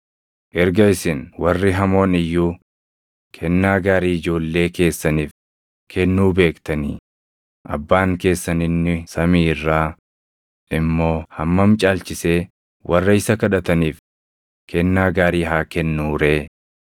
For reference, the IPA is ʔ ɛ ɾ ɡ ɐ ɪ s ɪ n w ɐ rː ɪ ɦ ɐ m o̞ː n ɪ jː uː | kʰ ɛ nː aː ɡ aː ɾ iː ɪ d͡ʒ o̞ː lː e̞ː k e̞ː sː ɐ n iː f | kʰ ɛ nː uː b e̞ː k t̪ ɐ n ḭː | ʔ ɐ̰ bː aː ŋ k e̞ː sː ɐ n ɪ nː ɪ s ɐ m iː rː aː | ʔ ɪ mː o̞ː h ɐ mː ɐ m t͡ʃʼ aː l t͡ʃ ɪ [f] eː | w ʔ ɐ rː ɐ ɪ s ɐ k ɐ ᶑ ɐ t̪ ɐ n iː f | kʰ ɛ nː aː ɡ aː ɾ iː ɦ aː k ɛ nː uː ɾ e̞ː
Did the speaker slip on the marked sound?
yes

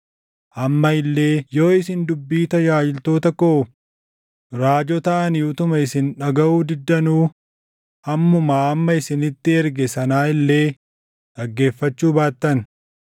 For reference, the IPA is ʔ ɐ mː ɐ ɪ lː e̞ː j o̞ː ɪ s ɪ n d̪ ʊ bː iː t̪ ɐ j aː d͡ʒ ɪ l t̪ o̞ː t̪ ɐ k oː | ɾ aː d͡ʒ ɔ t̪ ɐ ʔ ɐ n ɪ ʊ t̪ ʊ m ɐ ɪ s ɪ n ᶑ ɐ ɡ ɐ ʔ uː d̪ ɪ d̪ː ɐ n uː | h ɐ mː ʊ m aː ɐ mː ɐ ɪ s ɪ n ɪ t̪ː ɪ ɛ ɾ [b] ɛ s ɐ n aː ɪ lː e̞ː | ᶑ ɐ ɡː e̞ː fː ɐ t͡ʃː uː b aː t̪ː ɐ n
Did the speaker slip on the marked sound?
yes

